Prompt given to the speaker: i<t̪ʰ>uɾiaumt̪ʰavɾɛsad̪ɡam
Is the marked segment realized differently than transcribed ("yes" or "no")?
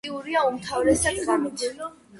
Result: yes